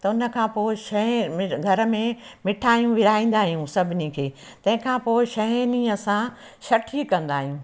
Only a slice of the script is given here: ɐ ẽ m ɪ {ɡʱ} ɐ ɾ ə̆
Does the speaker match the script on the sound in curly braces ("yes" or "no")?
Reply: yes